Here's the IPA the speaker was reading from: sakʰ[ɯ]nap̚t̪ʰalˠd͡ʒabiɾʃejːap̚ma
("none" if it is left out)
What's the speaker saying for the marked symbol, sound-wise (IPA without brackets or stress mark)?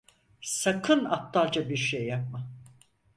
ɯ